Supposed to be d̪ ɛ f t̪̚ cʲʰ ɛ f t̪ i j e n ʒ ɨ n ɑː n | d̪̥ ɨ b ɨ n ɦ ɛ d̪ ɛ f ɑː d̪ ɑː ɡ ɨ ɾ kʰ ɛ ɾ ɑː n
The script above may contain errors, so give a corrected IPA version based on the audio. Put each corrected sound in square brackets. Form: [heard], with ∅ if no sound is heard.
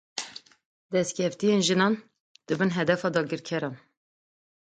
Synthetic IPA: d̪ ɛ [s] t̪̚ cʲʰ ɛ f t̪ i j e n ʒ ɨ n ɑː n | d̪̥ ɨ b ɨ n ɦ ɛ d̪ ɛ f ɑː d̪ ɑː ɡ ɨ ɾ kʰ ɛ ɾ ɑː n